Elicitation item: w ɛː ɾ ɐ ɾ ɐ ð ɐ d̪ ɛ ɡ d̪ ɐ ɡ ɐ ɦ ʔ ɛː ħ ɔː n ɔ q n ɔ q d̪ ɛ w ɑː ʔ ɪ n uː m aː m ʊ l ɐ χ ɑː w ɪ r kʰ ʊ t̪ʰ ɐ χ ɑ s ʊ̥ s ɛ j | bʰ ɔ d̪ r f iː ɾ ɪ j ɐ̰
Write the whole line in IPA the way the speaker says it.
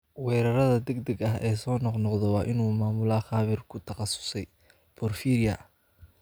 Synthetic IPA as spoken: w ɛː ɾ ɐ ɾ ɐ ð ɐ d̪ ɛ ɡ d̪ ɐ ɡ ɐ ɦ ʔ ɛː s ɔː n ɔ q n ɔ q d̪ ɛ w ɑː ʔ ɪ n uː m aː m ʊ l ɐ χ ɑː β ɪ r kʰ ʊ t̪ʰ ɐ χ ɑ s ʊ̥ s ɛ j | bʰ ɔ r f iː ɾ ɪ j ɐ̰